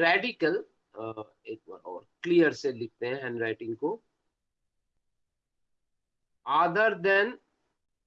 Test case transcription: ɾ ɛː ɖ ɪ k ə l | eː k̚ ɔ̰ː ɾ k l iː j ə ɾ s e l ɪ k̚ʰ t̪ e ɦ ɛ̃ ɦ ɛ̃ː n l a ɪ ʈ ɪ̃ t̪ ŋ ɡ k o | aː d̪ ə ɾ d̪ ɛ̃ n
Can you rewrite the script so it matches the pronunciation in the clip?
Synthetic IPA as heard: ɾ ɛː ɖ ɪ k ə l | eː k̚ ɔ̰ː ɾ k l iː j ə ɾ s e l ɪ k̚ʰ t̪ e ɦ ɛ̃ ɦ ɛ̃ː n ɾ a ɪ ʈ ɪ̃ ŋ ɡ k o | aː d̪ ə ɾ d̪ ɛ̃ n